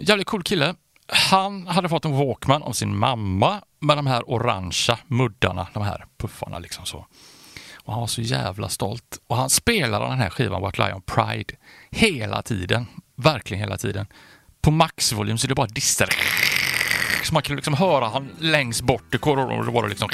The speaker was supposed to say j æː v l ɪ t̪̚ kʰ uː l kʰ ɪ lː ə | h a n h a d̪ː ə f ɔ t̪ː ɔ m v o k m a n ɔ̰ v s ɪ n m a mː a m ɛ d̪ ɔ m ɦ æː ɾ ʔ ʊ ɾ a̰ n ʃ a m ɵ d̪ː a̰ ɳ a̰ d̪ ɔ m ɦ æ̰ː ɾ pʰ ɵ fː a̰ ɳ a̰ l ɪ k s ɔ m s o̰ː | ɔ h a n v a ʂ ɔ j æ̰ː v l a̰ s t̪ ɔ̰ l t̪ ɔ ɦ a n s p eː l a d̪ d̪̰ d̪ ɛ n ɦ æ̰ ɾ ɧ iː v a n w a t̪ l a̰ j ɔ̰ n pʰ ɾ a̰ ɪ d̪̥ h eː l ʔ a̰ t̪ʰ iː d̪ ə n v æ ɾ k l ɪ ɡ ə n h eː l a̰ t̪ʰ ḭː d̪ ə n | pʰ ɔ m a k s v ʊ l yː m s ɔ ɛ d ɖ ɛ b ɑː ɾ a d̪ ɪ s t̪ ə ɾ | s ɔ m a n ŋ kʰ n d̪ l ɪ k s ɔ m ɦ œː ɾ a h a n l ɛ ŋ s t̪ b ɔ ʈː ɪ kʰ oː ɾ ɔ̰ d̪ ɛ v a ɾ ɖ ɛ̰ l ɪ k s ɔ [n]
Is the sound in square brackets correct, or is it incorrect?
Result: incorrect